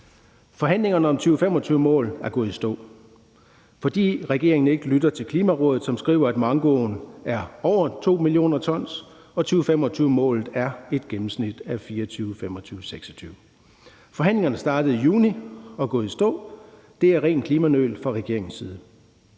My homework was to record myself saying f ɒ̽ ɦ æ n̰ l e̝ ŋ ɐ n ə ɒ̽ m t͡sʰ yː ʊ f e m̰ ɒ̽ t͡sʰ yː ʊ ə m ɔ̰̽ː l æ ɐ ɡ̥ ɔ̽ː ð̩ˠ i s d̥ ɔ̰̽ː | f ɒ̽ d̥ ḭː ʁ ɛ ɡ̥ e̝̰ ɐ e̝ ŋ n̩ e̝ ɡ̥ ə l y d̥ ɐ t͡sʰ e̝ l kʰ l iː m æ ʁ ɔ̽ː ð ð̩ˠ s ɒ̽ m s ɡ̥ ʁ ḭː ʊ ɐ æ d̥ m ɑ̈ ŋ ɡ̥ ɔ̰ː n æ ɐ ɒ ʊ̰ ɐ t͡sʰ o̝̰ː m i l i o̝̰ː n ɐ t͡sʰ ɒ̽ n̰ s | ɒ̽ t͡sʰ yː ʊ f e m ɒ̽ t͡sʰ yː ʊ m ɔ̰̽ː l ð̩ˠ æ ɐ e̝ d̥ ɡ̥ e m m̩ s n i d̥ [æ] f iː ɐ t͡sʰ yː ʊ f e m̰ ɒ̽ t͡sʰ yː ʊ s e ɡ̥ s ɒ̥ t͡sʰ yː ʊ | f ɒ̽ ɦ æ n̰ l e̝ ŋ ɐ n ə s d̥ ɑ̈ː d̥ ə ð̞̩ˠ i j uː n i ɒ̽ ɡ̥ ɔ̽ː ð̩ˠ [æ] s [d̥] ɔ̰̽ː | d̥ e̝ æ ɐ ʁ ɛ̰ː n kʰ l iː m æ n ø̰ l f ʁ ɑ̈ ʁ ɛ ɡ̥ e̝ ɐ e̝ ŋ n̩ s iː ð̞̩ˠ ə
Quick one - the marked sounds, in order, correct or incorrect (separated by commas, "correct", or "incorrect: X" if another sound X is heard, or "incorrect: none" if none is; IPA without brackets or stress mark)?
correct, incorrect: i, correct